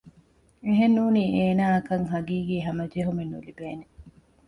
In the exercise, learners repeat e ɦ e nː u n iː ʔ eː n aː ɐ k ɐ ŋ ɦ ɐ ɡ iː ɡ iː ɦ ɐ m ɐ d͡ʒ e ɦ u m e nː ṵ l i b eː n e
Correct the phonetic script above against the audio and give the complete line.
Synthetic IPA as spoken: e ɦ e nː uː n iː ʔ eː n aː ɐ k ɐ ŋ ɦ ɐ ɡ iː ɡ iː ɦ ɐ m ɐ d͡ʒ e ɦ u m e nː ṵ l i b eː n e